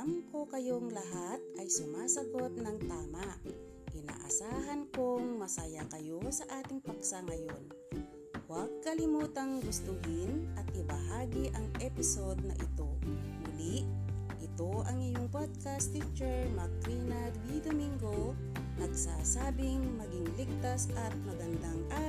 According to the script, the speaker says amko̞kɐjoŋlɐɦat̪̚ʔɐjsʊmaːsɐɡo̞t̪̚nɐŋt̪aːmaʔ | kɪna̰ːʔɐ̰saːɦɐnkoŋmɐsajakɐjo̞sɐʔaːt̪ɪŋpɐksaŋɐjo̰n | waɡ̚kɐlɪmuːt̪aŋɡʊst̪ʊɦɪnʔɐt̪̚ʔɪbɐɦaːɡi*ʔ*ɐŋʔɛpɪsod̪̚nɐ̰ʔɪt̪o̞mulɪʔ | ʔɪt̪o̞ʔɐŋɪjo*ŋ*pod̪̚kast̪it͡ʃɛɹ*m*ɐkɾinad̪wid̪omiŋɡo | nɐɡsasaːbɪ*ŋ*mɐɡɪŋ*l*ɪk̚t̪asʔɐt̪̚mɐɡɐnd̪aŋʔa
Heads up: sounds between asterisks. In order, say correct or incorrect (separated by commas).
correct, correct, correct, correct, correct